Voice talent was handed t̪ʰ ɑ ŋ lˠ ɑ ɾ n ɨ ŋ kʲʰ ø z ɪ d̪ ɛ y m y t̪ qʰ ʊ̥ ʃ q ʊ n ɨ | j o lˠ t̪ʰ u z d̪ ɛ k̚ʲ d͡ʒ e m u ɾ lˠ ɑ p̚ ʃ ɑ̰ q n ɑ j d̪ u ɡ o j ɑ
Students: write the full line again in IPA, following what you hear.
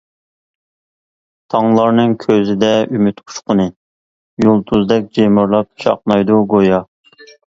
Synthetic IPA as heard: t̪ʰ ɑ ŋ lˠ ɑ ɾ n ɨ ŋ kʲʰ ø z ɪ d̪ ɛ y m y t̪ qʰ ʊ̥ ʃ q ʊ n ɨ | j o lˠ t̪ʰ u z d̪ ɛ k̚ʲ d͡ʒ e m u ɾ lˠ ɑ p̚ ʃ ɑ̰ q n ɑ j d̪ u ɡ o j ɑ